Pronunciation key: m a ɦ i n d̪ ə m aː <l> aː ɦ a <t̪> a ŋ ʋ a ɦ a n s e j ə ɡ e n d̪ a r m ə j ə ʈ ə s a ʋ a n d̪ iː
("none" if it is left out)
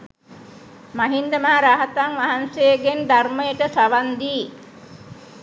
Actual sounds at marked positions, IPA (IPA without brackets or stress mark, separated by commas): ɾ, t̪